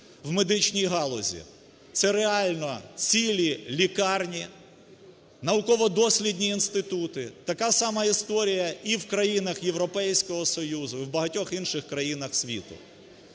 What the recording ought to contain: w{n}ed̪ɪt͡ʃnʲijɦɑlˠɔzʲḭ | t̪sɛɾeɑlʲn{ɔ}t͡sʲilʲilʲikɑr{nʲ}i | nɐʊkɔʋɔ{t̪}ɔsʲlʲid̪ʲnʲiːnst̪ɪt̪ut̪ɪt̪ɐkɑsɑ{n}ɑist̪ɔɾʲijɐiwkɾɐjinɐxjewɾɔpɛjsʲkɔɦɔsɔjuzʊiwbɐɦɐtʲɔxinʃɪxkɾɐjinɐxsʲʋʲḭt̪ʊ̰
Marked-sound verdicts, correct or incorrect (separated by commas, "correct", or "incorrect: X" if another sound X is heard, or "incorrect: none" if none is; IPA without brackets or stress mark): incorrect: m, correct, correct, incorrect: d̪, incorrect: m